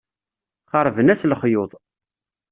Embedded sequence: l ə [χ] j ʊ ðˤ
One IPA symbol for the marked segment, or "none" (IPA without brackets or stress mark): χ